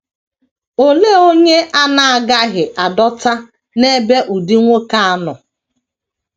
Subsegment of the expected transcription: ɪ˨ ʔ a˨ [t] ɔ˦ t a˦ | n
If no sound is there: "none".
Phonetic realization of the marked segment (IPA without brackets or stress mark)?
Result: d